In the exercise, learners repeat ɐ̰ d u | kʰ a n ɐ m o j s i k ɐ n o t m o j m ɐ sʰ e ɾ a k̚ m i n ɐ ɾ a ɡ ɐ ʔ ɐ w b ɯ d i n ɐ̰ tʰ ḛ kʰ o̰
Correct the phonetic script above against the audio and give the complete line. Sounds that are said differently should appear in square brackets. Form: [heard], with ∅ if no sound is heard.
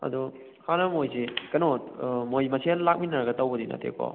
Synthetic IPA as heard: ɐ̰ d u | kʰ a n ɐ m o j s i k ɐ n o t m o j m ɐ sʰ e [l] a k̚ m i n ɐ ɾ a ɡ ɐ [t] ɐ w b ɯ d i n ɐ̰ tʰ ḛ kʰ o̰